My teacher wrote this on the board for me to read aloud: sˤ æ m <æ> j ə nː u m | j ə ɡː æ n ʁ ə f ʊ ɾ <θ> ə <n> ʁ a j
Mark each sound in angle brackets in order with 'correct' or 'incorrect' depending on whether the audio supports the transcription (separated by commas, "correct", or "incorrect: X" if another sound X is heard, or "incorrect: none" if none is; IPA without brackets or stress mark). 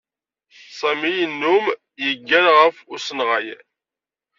incorrect: i, incorrect: s, correct